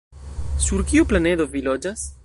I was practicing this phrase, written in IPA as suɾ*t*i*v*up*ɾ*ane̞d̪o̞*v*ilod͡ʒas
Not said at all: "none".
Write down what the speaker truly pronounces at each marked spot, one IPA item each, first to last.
k, none, l, v

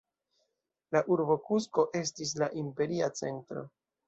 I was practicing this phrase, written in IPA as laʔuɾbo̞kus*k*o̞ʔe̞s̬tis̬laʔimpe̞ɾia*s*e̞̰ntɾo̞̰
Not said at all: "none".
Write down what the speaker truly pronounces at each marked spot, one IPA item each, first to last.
k, t͡s

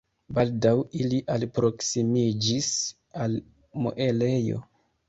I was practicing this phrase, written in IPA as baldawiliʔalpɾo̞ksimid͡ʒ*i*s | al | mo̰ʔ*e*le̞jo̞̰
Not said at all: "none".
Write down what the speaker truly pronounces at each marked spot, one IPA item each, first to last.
i, e

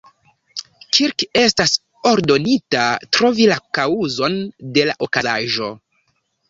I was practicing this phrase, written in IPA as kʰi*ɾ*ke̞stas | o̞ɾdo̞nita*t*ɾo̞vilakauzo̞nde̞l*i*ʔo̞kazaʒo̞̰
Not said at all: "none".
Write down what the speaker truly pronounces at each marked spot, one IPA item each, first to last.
ɾ, t, a

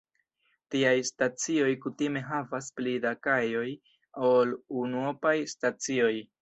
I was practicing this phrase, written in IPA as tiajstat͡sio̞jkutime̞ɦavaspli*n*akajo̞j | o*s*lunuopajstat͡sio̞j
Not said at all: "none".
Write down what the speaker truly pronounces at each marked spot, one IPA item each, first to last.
d, none

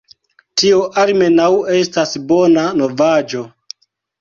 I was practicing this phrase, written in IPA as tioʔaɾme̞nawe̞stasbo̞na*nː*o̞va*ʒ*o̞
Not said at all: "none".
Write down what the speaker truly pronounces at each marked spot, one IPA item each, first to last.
n, d͡ʒ

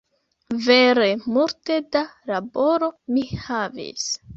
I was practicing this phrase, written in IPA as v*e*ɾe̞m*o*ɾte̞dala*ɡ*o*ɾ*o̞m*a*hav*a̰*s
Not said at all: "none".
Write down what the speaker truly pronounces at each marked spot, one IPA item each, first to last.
e, u, b, ɾ, i, ḭ

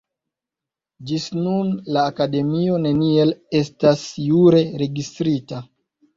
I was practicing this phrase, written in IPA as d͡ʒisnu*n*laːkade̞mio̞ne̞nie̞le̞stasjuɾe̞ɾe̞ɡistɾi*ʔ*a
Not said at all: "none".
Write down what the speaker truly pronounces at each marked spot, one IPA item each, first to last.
n, t

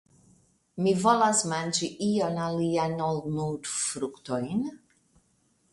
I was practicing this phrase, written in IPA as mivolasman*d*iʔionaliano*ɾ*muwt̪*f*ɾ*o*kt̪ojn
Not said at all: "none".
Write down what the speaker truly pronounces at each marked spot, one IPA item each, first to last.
d͡ʒ, l, f, u

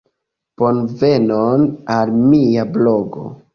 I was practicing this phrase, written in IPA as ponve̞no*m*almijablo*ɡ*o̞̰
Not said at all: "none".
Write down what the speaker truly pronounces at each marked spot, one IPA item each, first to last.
n, ɡ

